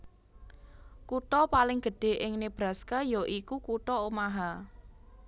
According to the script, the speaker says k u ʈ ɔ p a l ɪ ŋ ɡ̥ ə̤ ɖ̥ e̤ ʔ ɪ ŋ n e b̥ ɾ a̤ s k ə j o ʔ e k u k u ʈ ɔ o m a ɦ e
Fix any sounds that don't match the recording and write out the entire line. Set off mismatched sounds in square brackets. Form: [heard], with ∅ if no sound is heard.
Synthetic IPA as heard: k u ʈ ɔ p a l ɪ ŋ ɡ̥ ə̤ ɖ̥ e̤ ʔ ɪ ŋ n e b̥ ɾ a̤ s k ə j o ʔ [i] k u k u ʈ ɔ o m a ɦ [a]